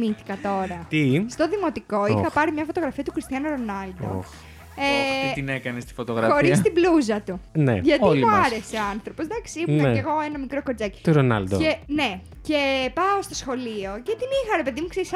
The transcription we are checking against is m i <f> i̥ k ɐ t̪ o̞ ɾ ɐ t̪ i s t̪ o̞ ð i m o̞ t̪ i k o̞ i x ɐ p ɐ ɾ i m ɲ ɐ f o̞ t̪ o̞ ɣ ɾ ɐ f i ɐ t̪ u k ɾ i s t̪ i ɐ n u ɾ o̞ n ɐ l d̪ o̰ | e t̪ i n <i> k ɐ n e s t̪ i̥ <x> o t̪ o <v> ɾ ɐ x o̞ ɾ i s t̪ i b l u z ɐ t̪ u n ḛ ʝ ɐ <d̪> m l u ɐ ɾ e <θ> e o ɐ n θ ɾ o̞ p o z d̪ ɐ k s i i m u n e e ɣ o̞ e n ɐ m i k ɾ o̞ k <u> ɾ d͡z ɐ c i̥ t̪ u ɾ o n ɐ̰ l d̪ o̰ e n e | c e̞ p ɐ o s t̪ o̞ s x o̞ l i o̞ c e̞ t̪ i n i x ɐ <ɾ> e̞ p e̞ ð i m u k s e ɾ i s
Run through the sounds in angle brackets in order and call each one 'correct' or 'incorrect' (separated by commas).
incorrect, incorrect, incorrect, incorrect, incorrect, incorrect, incorrect, correct